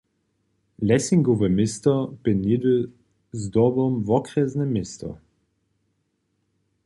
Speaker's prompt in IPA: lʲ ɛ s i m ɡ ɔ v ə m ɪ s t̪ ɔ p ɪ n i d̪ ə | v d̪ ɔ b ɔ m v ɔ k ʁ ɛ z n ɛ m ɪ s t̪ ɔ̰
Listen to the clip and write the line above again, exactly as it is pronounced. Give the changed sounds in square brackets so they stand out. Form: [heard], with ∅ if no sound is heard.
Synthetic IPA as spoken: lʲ ɛ s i [ŋ] ɡ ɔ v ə m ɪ s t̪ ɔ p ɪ n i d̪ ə | [z] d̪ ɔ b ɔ m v ɔ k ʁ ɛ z n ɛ m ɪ s t̪ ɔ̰